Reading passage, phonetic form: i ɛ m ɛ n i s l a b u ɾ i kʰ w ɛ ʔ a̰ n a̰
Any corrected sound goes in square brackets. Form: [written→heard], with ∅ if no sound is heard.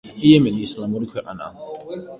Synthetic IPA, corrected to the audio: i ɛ m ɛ n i s l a [b→m] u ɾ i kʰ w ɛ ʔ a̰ n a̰

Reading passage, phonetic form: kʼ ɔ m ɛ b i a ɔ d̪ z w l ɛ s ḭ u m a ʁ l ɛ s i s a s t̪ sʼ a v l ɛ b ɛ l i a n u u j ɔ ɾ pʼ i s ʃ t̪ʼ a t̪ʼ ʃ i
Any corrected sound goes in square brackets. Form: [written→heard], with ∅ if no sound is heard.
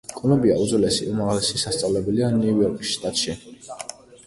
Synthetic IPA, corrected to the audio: kʼ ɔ m ɛ b i a [ɔ→u] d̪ z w l ɛ s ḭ u m a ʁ l ɛ s i s a s t̪ sʼ a v l ɛ b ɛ l i a n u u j ɔ ɾ [pʼ→kʼ] i s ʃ t̪ʼ a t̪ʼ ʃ i

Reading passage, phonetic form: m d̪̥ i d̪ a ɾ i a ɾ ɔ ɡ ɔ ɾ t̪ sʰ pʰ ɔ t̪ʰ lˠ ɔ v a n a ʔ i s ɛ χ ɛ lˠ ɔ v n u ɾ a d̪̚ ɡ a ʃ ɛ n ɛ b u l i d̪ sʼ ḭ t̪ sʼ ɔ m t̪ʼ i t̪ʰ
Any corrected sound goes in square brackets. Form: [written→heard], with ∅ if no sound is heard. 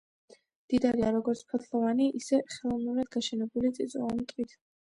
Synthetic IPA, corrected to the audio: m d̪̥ i d̪ a ɾ i a ɾ ɔ ɡ ɔ ɾ t̪ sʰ pʰ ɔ t̪ʰ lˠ ɔ v a n [a→i] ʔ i s ɛ χ ɛ lˠ ɔ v n u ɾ a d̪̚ ɡ a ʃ ɛ n ɛ b u l i [d̪→t̪] sʼ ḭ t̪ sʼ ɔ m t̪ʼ i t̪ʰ

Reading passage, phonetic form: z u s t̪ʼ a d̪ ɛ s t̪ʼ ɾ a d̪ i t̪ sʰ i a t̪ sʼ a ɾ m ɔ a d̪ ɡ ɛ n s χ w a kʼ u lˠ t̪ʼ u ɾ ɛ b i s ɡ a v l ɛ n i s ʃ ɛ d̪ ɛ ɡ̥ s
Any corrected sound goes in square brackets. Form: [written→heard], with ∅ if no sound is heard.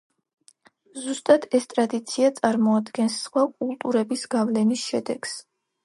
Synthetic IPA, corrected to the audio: z u s t̪ʼ a d̪ ɛ s t̪ʼ ɾ a d̪ i t̪ sʰ i a t̪ sʼ a ɾ m ɔ a d̪ ɡ ɛ n s χ w a kʼ u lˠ t̪ʼ u ɾ ɛ b i s ɡ a v l ɛ n i s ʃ ɛ d̪ ɛ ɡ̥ s

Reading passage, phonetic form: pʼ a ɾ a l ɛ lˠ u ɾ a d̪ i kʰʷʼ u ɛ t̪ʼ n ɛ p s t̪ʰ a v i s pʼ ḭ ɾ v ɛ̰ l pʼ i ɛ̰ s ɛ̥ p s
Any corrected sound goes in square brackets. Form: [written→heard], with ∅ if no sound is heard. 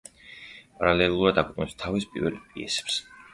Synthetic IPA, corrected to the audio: pʼ a ɾ a l ɛ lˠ u ɾ a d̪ [i→a] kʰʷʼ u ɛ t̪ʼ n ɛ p s t̪ʰ a v i s pʼ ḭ ɾ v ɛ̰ l pʼ i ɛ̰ s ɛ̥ p s

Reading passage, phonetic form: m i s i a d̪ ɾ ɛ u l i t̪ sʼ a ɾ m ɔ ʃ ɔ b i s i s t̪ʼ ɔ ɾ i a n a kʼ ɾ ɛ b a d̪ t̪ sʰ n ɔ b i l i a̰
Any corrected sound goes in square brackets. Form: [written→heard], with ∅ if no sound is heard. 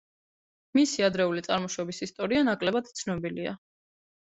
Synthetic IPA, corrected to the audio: m i s i a d̪ ɾ ɛ u l i t̪ sʼ a ɾ m ɔ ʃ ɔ b i s i s t̪ʼ ɔ ɾ i a n a kʼ [ɾ→l] ɛ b a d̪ t̪ sʰ n ɔ b i l i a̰

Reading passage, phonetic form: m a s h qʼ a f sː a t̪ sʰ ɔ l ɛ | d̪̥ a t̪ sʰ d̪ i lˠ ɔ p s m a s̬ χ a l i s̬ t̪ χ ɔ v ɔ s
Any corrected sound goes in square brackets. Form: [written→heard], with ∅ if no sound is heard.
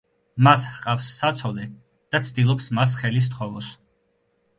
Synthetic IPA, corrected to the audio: m a s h qʼ a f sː a t̪ sʰ ɔ l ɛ | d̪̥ a t̪ sʰ d̪ i lˠ ɔ p s m a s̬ χ [a→ɛ] l i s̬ t̪ χ ɔ v ɔ s

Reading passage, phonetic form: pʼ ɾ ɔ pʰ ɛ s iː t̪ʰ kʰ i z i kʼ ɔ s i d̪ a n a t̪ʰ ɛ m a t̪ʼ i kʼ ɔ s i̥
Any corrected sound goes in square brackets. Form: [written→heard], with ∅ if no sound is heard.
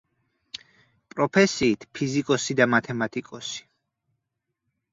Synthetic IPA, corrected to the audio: pʼ ɾ ɔ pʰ ɛ s iː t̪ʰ [kʰ→pʰ] i z i kʼ ɔ s i d̪ a [n→m] a t̪ʰ ɛ m a t̪ʼ i kʼ ɔ s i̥

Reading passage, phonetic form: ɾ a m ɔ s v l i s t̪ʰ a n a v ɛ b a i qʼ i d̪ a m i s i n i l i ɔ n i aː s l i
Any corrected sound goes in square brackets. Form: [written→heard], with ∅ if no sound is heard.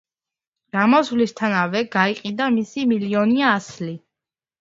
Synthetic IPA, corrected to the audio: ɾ a m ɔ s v l i s t̪ʰ a n a v ɛ [b→ɡ] a i qʼ i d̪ a m i s i [n→m] i l i ɔ n i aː s l i

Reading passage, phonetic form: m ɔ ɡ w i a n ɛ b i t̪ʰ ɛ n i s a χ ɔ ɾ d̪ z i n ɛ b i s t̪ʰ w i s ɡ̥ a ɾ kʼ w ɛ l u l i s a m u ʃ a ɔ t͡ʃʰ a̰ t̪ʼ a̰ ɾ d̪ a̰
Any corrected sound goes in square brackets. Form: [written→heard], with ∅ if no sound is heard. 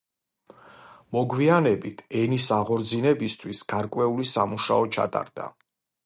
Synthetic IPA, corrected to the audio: m ɔ ɡ w i a n ɛ b i t̪ʰ ɛ n i s a [χ→ʁ] ɔ ɾ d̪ z i n ɛ b i s t̪ʰ w i s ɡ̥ a ɾ kʼ w ɛ [l→∅] u l i s a m u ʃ a ɔ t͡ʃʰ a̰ t̪ʼ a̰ ɾ d̪ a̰

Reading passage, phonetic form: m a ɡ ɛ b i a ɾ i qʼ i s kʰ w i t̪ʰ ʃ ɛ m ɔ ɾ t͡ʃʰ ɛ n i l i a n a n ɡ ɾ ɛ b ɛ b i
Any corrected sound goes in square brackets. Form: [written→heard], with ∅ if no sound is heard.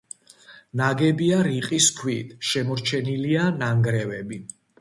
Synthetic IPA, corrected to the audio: [m→n] a ɡ ɛ b i a ɾ i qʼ i s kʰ w i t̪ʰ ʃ ɛ m ɔ ɾ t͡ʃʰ ɛ n i l i a n a [n→ŋ] ɡ ɾ ɛ [b→v] ɛ b i

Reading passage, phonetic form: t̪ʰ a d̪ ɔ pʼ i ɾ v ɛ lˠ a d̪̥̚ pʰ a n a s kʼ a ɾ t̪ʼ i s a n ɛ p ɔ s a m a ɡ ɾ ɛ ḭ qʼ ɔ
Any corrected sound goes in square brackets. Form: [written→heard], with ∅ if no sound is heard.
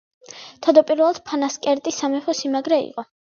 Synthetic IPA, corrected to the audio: t̪ʰ a d̪ ɔ pʼ i ɾ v ɛ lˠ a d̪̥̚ pʰ a n a s kʼ [a→ɛ] ɾ t̪ʼ i s a [n→m] ɛ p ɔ s [a→i] m a ɡ ɾ ɛ ḭ qʼ ɔ

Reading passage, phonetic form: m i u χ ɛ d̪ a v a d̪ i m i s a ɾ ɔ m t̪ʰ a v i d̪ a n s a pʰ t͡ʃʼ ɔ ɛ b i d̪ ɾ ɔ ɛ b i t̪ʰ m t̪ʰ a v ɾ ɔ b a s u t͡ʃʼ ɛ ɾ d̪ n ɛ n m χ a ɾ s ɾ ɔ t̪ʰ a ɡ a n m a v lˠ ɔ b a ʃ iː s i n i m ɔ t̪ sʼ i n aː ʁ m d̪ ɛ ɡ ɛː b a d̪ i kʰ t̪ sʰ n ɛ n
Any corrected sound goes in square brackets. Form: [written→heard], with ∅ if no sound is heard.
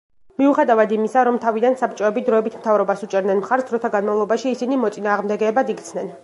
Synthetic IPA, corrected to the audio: m i u χ ɛ d̪ a v a d̪ i m i s a ɾ ɔ m t̪ʰ a v i d̪ a n s a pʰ t͡ʃʼ ɔ ɛ b i d̪ ɾ ɔ ɛ b i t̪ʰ m t̪ʰ a v ɾ ɔ b a s u t͡ʃʼ ɛ ɾ d̪ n ɛ n m χ a ɾ s ɾ ɔ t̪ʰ a ɡ a n m a v lˠ ɔ b a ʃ iː s i n i m ɔ t̪ sʼ i n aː ʁ m d̪ ɛ ɡ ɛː b a d̪ i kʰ t̪ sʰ n ɛ n

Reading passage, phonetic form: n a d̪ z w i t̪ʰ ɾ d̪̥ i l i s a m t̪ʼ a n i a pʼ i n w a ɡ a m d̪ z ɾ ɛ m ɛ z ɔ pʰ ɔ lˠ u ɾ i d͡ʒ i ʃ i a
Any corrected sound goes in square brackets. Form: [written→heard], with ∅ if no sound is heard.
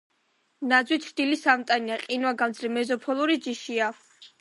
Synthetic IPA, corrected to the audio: n a d̪ z w i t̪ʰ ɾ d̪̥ i l i s a m t̪ʼ a n i a [pʼ→qʼ] i n w a ɡ a m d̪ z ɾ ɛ m ɛ z ɔ pʰ ɔ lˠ u ɾ i d͡ʒ i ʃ i a

